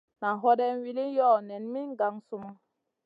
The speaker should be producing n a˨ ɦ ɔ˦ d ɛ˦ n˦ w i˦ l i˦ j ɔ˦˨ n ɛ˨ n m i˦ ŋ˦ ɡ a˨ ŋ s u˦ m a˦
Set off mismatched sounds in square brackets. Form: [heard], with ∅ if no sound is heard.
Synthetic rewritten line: n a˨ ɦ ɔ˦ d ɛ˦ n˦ w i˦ l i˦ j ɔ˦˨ n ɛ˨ n m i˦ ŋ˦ ɡ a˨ ŋ s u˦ m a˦

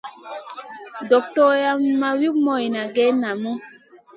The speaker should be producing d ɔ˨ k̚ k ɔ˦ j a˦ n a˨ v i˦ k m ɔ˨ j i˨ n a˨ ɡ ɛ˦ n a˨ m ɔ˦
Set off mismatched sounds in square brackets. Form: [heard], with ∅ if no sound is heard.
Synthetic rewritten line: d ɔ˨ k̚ [t] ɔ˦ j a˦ [m] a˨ [w] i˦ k m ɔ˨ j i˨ n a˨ ɡ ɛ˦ n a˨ m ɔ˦

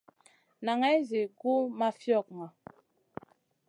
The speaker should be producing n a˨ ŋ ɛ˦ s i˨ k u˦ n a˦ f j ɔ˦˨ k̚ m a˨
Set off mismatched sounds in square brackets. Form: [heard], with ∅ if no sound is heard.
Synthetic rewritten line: n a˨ ŋ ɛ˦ [z] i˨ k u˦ [m] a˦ f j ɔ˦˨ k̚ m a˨

